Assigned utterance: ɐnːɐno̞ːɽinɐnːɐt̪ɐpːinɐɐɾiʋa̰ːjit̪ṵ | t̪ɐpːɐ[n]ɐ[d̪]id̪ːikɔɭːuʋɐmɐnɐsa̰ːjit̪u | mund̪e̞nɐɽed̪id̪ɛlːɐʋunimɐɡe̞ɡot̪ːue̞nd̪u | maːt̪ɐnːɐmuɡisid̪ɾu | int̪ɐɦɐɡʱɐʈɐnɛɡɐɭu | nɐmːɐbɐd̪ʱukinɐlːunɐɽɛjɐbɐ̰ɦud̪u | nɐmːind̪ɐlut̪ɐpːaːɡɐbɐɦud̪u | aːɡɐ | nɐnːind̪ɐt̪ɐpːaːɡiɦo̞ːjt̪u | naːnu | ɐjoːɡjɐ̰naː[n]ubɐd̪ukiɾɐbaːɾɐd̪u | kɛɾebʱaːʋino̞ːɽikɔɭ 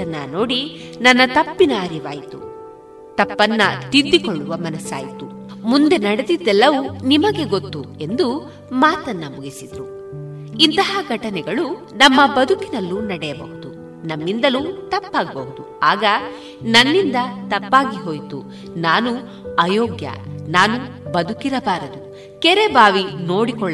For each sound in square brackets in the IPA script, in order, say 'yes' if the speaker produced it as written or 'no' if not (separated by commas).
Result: no, no, yes